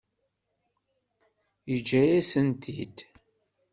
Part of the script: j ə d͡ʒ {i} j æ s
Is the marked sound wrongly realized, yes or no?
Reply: yes